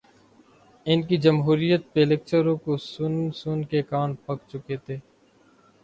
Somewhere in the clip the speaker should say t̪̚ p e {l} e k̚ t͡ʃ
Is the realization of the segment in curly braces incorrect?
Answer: no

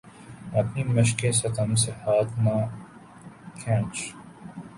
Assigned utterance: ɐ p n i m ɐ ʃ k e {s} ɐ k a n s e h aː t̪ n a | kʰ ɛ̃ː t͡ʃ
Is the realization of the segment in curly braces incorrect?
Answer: no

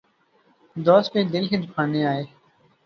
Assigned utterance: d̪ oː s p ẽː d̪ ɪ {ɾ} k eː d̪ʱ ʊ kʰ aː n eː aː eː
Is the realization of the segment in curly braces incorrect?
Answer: yes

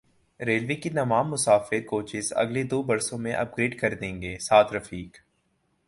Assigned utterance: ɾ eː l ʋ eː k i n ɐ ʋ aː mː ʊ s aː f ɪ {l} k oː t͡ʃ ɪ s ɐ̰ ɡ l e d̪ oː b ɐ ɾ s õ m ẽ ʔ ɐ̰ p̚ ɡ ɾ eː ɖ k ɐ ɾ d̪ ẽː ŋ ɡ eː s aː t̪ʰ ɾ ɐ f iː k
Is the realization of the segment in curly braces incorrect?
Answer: yes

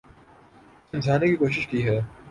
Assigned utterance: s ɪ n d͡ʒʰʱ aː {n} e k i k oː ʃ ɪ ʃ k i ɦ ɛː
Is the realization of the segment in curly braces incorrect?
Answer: no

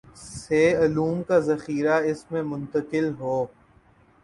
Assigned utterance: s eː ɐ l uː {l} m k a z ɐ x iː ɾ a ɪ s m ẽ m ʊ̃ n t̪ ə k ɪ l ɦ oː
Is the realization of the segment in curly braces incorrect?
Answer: yes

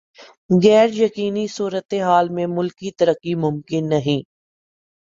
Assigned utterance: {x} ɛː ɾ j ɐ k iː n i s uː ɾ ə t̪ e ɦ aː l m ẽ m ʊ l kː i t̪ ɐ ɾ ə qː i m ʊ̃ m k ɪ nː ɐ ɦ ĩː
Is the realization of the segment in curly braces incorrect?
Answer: yes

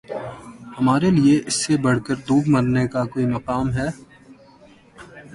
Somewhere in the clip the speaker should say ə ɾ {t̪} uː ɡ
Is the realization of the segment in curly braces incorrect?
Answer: yes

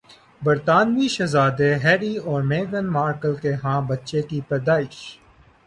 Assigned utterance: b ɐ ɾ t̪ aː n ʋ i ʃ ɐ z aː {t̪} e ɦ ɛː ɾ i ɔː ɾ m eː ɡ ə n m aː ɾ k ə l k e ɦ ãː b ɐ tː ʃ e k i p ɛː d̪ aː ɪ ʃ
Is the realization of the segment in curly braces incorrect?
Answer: yes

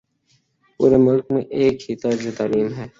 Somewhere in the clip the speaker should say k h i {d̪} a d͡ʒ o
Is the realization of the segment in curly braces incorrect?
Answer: yes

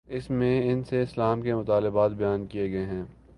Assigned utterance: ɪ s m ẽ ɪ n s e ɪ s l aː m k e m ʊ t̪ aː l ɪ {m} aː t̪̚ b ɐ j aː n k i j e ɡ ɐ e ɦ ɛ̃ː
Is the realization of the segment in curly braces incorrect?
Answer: yes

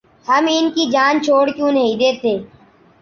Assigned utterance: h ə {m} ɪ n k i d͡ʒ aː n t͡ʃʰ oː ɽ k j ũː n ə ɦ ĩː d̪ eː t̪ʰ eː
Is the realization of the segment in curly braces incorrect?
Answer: no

